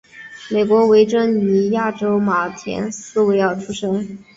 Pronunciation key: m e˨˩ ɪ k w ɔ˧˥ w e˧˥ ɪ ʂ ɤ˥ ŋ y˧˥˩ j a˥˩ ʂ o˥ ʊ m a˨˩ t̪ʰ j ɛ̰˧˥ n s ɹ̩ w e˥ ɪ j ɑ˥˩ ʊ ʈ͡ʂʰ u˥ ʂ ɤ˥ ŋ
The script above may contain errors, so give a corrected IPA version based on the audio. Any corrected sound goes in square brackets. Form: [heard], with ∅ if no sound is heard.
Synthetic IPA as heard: m e˨˩ ɪ k w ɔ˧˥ w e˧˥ ɪ [ʈ͡ʂ] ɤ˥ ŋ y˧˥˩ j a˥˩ [ʈ͡ʂ] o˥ ʊ m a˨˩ t̪ʰ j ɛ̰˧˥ n s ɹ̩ w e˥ ɪ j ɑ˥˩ ʊ ʈ͡ʂʰ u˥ ʂ ɤ˥ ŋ